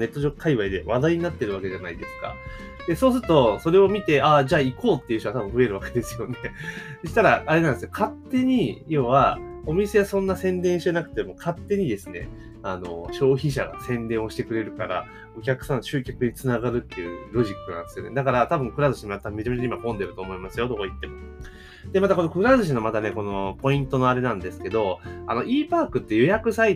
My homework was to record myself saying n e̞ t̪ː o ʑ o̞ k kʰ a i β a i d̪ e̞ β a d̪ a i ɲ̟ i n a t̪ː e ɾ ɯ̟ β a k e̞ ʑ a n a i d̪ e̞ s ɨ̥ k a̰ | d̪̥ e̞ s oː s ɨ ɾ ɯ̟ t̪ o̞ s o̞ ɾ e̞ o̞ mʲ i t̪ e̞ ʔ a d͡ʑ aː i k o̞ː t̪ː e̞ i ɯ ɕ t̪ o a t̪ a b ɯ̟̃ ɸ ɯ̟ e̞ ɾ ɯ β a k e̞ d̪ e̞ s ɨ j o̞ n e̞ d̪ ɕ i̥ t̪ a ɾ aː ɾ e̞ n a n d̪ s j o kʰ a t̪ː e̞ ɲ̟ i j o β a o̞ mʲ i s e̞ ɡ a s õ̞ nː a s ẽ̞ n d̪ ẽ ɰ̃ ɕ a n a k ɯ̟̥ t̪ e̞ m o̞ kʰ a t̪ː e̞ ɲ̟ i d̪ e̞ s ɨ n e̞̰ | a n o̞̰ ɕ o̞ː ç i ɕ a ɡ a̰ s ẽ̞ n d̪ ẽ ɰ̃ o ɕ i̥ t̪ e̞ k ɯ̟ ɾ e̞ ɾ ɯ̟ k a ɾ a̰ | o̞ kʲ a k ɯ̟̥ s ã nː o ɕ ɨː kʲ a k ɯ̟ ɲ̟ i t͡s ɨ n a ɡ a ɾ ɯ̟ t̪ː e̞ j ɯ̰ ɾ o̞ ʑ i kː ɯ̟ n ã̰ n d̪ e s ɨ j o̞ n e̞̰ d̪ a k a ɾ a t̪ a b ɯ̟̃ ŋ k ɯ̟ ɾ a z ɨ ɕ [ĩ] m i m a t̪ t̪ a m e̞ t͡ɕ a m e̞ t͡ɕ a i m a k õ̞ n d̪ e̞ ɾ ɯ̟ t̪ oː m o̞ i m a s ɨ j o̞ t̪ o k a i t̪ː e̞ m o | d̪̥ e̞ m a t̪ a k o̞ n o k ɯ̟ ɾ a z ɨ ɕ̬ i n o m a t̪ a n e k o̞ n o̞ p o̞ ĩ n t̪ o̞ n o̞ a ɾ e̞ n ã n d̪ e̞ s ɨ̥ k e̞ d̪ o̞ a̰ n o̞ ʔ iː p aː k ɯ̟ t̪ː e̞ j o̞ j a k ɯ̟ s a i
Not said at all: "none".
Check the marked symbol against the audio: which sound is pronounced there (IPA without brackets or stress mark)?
i